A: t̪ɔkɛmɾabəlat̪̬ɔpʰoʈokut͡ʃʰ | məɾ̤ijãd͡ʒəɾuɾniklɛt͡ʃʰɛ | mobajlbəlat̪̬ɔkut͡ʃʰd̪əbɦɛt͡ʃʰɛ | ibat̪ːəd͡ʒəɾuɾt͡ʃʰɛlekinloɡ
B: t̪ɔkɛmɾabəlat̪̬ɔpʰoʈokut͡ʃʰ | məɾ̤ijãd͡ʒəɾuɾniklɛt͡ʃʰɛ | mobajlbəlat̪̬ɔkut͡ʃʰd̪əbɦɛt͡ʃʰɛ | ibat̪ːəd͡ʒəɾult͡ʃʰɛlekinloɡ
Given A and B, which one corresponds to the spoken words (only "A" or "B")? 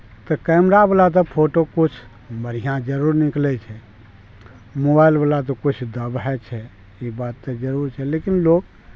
A